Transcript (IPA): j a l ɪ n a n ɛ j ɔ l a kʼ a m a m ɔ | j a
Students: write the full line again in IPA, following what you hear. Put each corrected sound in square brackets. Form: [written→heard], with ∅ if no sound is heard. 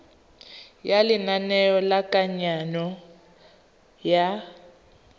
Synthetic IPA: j a l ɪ n a n ɛ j ɔ l a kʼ a [m→ɲ] a [m→n] ɔ | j a